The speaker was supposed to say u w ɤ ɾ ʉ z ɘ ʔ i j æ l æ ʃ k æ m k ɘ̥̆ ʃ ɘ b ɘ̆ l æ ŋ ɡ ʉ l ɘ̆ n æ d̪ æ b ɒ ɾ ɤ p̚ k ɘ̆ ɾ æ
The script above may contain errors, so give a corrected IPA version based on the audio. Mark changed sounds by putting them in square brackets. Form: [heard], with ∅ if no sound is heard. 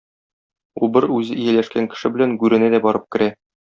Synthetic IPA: u [b] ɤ ɾ ʉ z ɘ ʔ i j æ l æ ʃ k æ [ŋ] k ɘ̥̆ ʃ ɘ b ɘ̆ l æ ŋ ɡ ʉ [ɾ] ɘ̆ n æ d̪ æ b ɒ ɾ ɤ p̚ k ɘ̆ ɾ æ